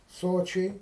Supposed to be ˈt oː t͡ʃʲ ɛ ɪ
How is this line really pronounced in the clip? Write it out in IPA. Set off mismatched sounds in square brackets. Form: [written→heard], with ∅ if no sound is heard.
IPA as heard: [ˈt→ˈs] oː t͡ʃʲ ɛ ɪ